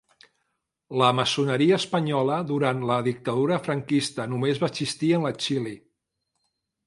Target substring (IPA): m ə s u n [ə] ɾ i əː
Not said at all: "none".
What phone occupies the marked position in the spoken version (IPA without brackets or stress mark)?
ə